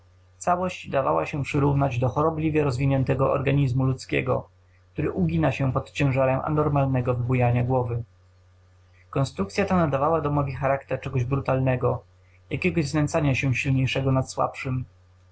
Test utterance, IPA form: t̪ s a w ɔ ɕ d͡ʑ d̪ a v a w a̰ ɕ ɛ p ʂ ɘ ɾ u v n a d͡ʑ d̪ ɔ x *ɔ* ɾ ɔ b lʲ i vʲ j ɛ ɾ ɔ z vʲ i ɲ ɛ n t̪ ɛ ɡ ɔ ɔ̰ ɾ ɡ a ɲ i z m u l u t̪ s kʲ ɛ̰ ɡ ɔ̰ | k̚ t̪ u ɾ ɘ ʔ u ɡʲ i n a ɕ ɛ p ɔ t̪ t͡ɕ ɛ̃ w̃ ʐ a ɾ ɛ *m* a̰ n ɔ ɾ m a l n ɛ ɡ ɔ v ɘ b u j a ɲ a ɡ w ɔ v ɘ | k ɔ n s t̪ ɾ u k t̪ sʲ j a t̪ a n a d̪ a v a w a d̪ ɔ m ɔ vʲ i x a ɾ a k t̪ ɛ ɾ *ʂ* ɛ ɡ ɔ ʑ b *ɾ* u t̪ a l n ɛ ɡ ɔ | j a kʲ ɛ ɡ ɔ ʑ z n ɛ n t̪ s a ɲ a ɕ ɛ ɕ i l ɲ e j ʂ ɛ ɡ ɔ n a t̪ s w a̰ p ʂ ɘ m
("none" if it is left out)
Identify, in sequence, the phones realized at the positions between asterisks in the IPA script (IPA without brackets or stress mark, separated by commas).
ɔ, m, t͡ʂ, ɾ